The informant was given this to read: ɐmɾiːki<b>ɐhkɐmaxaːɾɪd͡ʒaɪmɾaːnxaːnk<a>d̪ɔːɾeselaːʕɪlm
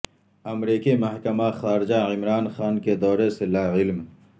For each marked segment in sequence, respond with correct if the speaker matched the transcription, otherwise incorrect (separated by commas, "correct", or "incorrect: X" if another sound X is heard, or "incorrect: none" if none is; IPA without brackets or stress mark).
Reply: incorrect: m, incorrect: e